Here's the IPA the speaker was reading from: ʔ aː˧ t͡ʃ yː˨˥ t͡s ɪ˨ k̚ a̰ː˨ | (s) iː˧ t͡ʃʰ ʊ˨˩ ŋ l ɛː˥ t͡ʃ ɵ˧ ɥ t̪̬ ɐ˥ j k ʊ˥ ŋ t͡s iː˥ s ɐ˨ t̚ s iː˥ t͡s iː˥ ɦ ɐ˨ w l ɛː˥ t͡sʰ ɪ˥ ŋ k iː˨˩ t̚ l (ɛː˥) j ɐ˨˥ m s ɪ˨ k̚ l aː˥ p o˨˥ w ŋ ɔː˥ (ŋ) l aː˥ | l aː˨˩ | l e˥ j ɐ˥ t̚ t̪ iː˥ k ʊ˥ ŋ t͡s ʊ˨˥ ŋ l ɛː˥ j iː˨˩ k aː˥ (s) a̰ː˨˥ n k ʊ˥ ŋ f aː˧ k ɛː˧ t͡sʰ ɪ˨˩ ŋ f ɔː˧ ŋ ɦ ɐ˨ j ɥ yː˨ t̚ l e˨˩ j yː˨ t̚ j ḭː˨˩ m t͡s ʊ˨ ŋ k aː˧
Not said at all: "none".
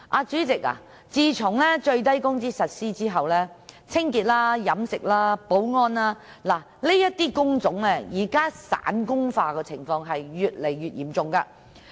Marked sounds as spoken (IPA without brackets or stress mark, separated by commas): t͡s, aː˥, n, s